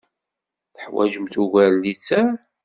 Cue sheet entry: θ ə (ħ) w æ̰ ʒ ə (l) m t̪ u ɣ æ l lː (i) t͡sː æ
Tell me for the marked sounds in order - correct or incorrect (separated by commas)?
correct, incorrect, correct